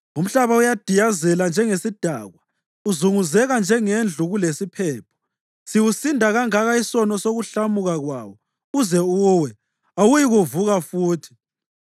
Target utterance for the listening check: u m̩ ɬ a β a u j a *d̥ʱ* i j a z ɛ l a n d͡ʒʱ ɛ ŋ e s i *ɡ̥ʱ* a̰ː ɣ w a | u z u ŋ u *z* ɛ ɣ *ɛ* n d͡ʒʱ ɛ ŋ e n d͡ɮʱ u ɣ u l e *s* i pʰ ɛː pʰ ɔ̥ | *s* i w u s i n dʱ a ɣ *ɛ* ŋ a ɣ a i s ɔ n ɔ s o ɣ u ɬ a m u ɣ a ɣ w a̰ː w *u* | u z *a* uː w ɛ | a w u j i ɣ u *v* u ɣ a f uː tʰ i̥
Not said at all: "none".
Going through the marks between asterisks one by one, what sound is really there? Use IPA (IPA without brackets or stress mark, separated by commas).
d̥ʱ, d̥ʱ, z, a, s, s, a, ɔ, ɛ, v